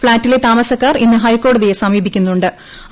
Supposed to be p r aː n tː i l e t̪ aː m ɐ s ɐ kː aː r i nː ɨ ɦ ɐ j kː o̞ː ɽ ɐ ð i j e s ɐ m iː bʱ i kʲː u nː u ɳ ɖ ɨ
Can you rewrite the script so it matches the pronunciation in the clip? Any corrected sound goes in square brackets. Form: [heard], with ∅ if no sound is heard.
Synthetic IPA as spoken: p [ɭ] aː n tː i l e t̪ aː m ɐ s ɐ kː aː r i nː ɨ ɦ ɐ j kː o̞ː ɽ ɐ ð i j e s ɐ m iː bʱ i kʲː u nː u ɳ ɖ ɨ